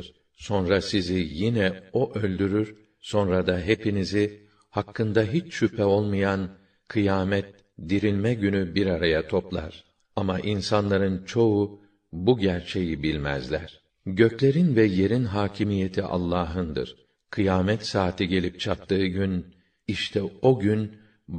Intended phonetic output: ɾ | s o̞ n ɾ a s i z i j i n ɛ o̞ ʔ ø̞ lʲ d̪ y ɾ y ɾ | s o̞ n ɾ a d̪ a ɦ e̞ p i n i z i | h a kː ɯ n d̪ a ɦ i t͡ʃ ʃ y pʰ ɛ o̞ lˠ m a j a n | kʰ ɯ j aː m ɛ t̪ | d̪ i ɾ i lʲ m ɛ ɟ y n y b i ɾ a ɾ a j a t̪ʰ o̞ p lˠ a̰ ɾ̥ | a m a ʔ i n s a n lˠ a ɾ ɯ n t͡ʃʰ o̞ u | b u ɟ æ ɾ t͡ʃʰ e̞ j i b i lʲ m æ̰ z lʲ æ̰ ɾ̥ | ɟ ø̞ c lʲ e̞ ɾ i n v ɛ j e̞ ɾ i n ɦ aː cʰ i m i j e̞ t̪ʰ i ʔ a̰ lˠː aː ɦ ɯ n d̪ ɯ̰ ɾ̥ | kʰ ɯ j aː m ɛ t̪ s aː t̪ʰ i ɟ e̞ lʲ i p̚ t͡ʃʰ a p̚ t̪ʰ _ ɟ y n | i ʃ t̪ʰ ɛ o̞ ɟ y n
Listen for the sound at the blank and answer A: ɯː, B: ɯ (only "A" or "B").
A